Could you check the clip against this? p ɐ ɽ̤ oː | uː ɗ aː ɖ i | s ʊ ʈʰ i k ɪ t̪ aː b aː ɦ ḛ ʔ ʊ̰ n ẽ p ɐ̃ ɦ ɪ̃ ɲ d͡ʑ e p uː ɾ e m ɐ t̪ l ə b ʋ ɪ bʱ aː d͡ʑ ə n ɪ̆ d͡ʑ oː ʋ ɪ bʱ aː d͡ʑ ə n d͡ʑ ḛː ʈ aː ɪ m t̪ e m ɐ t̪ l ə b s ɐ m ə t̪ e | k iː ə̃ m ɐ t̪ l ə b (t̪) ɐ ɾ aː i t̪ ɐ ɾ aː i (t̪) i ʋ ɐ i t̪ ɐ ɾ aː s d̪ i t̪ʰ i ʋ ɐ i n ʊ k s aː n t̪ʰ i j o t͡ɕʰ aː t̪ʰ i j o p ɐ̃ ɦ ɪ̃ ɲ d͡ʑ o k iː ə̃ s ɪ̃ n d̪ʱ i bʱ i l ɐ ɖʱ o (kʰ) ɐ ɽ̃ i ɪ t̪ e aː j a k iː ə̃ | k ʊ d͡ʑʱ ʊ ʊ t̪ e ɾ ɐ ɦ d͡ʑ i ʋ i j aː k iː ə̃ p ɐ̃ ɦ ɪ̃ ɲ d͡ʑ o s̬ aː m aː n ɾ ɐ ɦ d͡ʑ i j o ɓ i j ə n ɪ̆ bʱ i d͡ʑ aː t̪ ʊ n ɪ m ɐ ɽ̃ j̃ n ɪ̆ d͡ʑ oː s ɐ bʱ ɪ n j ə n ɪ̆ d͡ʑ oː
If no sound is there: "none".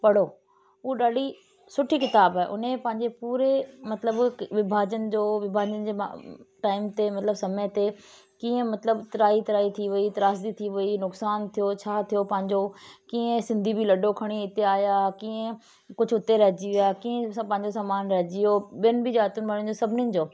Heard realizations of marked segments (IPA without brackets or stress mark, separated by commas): t̪, t̪ʰ, kʰ